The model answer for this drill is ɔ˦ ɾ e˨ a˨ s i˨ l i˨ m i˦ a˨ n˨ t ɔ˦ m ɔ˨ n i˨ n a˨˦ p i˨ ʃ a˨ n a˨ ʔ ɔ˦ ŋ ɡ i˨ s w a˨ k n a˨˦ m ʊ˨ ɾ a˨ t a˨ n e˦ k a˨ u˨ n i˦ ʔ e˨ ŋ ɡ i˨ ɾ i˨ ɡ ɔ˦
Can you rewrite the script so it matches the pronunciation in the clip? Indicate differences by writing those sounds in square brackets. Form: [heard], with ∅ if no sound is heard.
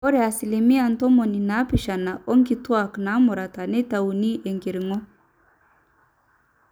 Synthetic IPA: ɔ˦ ɾ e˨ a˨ s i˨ l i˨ m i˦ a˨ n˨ t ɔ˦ m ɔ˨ n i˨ n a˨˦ p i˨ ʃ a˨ n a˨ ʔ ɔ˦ ŋ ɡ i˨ [t] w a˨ k n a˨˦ m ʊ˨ ɾ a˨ t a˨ n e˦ [t] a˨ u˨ n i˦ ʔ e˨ ŋ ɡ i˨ ɾ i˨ [ŋ] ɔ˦